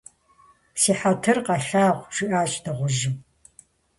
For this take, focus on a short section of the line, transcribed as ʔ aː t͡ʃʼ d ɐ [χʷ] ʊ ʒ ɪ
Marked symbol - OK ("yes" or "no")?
no